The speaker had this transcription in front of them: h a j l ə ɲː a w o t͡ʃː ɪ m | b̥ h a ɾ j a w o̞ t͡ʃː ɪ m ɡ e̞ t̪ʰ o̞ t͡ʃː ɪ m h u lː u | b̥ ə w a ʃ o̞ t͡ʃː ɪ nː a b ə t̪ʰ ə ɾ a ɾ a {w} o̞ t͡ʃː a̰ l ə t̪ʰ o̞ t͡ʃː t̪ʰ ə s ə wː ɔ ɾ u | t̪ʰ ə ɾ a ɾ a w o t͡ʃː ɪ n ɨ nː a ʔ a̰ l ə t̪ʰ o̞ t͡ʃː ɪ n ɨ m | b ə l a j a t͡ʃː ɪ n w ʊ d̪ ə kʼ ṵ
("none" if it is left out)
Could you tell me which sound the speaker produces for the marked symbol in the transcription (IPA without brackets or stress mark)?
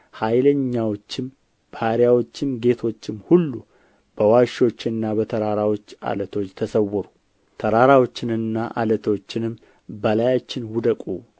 w